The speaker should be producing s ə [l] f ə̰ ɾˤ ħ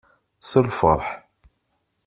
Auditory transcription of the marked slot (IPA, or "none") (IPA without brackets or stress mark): l